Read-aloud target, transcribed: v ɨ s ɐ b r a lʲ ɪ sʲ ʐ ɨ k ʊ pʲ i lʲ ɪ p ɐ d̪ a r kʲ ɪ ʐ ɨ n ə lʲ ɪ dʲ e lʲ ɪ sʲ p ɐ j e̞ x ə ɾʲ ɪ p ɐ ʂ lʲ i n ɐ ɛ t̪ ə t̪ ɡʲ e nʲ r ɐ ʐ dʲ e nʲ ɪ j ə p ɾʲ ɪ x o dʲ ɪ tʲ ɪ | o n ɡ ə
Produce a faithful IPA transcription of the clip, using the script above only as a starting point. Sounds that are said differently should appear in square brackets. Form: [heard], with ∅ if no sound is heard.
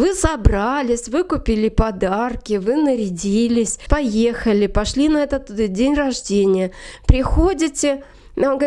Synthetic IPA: v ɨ s ɐ b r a lʲ ɪ sʲ [v] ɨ k ʊ pʲ i lʲ ɪ p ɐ d̪ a r kʲ ɪ [v] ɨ n ə [ɾʲ] ɪ dʲ [i] lʲ ɪ sʲ p ɐ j e̞ x ə [lʲ] ɪ p ɐ ʂ lʲ i n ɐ ɛ t̪ ə t̪ [dʲ] e nʲ r ɐ ʐ dʲ e nʲ ɪ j ə p ɾʲ ɪ x o dʲ ɪ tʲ ɪ | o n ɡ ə

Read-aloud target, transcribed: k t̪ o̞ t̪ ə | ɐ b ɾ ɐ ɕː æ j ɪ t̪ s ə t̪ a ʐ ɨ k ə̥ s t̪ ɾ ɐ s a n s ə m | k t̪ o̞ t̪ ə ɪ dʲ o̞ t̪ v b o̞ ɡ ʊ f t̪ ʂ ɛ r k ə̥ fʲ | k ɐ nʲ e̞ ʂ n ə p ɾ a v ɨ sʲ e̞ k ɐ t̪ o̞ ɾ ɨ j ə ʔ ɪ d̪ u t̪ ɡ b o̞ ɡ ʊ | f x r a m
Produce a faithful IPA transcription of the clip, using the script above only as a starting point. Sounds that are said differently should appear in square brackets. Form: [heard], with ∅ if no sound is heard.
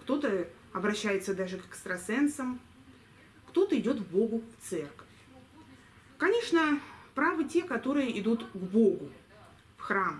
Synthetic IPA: k t̪ o̞ t̪ ə | ɐ b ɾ ɐ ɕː æ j ɪ t̪ s ə [d̪] a ʐ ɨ k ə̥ s t̪ ɾ ɐ s [ɛ] n s ə m | k t̪ o̞ t̪ ə ɪ dʲ o̞ t̪ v b o̞ ɡ ʊ f t̪ [s] ɛ r k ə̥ fʲ | k ɐ nʲ e̞ ʂ n ə p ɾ a v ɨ [tʲ] e̞ k ɐ t̪ o̞ ɾ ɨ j ə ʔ ɪ d̪ u t̪ ɡ b o̞ ɡ ʊ | f x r a m

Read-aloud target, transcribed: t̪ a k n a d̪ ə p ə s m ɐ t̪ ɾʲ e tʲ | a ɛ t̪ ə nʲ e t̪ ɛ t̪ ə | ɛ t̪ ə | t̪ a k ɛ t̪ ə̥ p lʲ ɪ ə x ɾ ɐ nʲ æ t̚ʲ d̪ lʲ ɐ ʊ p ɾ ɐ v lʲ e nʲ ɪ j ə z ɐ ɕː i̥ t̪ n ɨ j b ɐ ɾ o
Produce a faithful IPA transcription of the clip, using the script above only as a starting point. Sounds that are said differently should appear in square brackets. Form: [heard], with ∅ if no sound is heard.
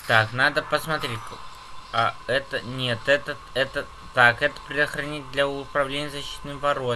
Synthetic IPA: t̪ a k n a d̪ ə p ə s m ɐ t̪ ɾʲ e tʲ | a ɛ t̪ ə nʲ e t̪ ɛ t̪ ə | ɛ t̪ ə | t̪ a k ɛ t̪ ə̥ p [ɾʲ] ɪ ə x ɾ ɐ nʲ [i] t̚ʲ d̪ lʲ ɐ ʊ p ɾ ɐ v lʲ e nʲ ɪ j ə z ɐ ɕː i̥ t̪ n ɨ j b ɐ ɾ o

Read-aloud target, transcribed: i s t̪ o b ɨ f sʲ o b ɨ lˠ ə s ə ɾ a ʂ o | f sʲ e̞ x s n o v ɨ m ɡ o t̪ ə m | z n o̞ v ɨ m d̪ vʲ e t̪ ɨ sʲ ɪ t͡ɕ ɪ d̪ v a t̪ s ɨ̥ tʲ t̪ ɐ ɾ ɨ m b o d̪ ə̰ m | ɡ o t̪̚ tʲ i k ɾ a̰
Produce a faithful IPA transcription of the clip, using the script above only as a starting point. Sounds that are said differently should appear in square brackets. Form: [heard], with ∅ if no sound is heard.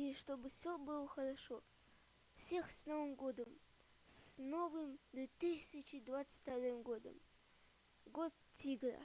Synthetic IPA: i [ʂ] t̪ o b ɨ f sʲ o b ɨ lˠ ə [x] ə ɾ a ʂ o | f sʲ e̞ x s n o v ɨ m ɡ o [d̪] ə m | [s] n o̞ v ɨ m d̪ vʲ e t̪ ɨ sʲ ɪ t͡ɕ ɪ d̪ v a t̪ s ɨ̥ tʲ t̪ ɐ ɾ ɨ m [ɡ] o d̪ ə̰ m | ɡ o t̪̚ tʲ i [ɡ] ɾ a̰

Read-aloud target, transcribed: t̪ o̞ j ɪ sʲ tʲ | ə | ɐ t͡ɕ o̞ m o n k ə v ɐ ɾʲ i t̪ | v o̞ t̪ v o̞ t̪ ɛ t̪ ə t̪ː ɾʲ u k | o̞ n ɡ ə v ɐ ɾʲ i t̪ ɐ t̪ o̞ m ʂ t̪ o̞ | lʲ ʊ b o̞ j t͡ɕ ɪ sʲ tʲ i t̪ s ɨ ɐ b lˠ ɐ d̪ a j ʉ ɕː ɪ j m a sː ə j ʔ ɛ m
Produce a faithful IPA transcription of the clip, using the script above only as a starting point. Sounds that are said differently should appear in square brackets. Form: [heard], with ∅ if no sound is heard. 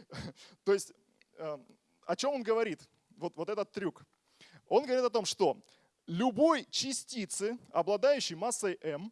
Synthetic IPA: t̪ o̞ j ɪ sʲ tʲ | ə | ɐ t͡ɕ o̞ m o n [ɡ] ə v ɐ ɾʲ i t̪ | v o̞ t̪ v o̞ t̪ ɛ t̪ ə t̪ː ɾʲ u k | o̞ n ɡ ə v ɐ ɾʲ i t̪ ɐ t̪ o̞ m ʂ t̪ o̞ | lʲ ʊ b o̞ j t͡ɕ ɪ sʲ tʲ i t̪ s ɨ ɐ b lˠ ɐ d̪ a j ʉ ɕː ɪ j m a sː ə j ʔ ɛ m

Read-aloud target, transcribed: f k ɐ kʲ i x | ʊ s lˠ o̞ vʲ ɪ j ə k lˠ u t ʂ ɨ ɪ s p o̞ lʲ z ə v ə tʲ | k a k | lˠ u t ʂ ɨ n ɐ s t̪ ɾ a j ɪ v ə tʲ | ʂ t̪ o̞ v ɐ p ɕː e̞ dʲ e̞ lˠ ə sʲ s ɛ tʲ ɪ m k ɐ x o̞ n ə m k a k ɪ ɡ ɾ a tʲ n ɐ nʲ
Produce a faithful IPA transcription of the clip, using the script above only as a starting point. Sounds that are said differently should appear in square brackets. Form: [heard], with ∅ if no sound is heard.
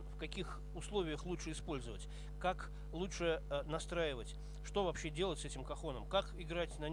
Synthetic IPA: f k ɐ kʲ i x | ʊ s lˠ o̞ vʲ ɪ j ə [x] lˠ u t ʂ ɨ ɪ s p o̞ lʲ z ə v ə tʲ | k a k | lˠ u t ʂ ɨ n ɐ s t̪ ɾ a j ɪ v ə tʲ | ʂ t̪ o̞ v ɐ p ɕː e̞ dʲ e̞ lˠ ə [tʲ] s ɛ tʲ ɪ m k ɐ x o̞ n ə m k a k ɪ ɡ ɾ a tʲ n ɐ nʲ

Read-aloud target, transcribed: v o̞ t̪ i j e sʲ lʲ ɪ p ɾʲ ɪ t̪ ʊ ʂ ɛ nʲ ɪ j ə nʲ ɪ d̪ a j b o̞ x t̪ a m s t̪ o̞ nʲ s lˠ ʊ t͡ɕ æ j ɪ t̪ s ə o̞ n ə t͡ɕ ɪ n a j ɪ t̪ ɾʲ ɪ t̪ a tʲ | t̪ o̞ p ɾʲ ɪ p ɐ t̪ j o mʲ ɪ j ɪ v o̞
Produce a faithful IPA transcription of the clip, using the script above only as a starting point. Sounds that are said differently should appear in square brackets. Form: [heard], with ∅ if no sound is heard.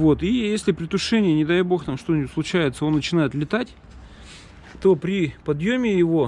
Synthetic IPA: v o̞ t̪ i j e sʲ lʲ ɪ p ɾʲ ɪ t̪ ʊ ʂ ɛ nʲ ɪ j ə nʲ ɪ d̪ a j b o̞ x t̪ a m [ʂ] t̪ o̞ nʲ s lˠ ʊ t͡ɕ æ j ɪ t̪ s ə o̞ [nː] ə t͡ɕ ɪ n a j ɪ t̪ [lʲ] ɪ t̪ a tʲ | t̪ o̞ p ɾʲ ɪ p ɐ [d̪] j o mʲ ɪ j ɪ v o̞

